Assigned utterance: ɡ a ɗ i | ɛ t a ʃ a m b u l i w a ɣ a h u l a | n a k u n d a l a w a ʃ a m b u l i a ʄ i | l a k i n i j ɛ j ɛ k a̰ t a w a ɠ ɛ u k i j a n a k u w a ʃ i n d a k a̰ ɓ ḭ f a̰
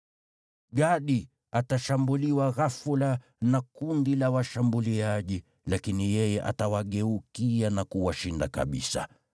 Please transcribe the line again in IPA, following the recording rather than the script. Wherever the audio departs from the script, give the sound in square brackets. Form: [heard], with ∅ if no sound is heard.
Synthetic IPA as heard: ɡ a ɗ i | [a] t a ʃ a m b u l i w a ɣ a [f] u l a | n a k u n d [i] l a w a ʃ a m b u l i a ʄ i | l a k i n i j ɛ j ɛ [ʔ] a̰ t a w a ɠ ɛ u k i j a n a k u w a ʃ i n d a k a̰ ɓ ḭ [s] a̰